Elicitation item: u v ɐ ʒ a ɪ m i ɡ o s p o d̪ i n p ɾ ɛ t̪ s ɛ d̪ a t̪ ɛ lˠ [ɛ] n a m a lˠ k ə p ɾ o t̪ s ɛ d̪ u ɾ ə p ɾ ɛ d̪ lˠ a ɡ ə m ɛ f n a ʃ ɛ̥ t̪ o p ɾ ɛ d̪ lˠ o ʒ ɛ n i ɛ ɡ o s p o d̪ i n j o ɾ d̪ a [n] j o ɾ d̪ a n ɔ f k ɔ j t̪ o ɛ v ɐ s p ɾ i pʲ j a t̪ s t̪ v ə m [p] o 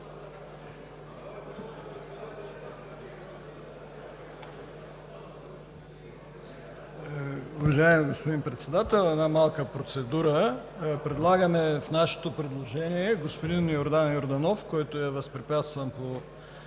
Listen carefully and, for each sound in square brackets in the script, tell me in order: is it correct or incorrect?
correct, correct, correct

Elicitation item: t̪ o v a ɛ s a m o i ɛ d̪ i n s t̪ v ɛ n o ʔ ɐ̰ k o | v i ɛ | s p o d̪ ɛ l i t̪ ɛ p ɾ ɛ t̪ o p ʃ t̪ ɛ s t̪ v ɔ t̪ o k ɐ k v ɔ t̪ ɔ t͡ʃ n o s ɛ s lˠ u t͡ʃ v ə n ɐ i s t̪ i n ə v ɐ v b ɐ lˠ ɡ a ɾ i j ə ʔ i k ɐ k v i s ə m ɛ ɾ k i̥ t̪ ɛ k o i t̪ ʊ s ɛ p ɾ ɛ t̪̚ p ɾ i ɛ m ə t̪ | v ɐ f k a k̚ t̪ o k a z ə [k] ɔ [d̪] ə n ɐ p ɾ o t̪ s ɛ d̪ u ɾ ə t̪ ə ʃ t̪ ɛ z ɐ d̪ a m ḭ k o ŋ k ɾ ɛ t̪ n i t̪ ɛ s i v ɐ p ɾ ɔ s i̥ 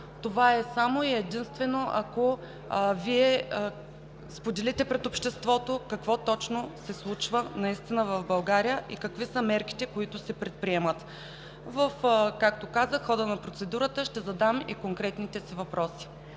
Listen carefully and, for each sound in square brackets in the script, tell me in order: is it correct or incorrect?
incorrect: x, correct

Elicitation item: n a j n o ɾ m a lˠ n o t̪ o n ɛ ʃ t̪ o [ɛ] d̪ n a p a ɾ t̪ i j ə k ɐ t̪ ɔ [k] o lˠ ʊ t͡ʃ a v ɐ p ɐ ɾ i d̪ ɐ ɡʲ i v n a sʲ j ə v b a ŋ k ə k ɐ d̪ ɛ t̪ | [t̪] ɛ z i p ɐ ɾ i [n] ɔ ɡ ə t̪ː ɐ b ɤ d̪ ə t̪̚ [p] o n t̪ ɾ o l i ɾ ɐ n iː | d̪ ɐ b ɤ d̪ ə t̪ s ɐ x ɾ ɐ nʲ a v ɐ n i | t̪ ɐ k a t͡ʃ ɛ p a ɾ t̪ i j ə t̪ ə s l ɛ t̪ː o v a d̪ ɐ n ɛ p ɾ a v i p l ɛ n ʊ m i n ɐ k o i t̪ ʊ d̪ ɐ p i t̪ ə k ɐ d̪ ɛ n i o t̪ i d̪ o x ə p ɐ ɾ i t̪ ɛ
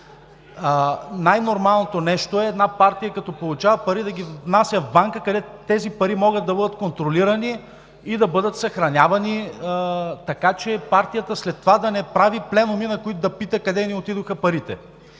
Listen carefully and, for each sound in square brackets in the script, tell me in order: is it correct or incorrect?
incorrect: ɛː, incorrect: p, correct, incorrect: m, incorrect: k

